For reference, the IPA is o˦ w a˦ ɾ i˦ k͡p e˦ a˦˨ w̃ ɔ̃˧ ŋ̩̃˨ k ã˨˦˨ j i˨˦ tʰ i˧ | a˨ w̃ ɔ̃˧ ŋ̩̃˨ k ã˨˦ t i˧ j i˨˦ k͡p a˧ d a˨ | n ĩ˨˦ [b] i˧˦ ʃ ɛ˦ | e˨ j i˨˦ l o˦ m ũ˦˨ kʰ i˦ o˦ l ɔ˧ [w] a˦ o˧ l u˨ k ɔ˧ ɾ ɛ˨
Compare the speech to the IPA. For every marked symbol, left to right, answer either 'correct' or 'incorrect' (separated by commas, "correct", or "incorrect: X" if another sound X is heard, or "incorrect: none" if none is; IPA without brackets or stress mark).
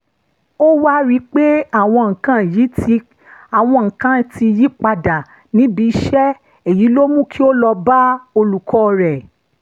correct, incorrect: b